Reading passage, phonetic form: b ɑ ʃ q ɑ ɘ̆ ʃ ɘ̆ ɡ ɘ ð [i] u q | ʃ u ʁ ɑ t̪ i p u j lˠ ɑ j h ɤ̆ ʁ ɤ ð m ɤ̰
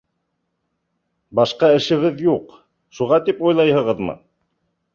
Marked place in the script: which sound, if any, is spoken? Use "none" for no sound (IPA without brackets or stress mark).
j